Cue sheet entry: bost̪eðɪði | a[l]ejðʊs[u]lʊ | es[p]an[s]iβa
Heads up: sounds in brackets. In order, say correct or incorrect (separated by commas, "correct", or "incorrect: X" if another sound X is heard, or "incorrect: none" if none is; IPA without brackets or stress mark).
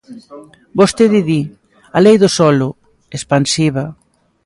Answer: correct, incorrect: ɔ, correct, correct